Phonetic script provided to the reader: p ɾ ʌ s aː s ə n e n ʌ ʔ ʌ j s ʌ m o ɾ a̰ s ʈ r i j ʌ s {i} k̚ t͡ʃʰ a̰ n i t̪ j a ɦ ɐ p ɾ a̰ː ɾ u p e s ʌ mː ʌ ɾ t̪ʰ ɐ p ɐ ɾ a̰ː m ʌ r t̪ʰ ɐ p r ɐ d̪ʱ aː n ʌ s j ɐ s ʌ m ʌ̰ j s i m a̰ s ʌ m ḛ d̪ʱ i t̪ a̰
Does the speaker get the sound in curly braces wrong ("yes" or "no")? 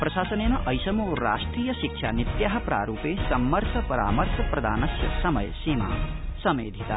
no